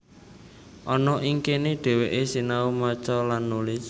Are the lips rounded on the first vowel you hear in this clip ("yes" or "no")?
yes